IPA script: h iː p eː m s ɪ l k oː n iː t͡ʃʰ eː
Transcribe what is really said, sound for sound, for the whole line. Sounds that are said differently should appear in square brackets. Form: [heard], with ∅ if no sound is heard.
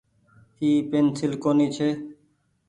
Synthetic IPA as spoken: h iː p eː [n] s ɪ l k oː n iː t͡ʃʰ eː